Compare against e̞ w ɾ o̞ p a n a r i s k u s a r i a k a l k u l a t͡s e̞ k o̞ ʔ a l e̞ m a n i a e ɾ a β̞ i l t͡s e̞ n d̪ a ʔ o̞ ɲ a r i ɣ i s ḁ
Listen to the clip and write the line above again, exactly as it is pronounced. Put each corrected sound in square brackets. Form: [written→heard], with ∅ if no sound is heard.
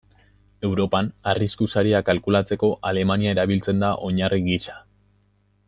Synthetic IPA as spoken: e̞ w ɾ o̞ p a n a r i s k u s a [r→ɾ] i a k a l k u l a t͡s e̞ k o̞ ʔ a l e̞ m a n i a e ɾ a β̞ i l t͡s e̞ n d̪ a ʔ o̞ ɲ a r i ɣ i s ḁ